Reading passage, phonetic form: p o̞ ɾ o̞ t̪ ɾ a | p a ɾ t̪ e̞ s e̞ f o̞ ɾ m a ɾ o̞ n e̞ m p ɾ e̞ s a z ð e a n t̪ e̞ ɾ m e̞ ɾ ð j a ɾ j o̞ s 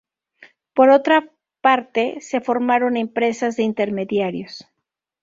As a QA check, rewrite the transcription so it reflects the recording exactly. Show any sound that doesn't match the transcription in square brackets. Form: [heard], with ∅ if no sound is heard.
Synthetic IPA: p o̞ ɾ o̞ t̪ ɾ a | p a ɾ t̪ e̞ s e̞ f o̞ ɾ m a ɾ o̞ n e̞ m p ɾ e̞ s a z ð e [i] n t̪ e̞ ɾ m e̞ [∅] ð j a ɾ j o̞ s